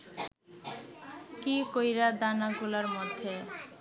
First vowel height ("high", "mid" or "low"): high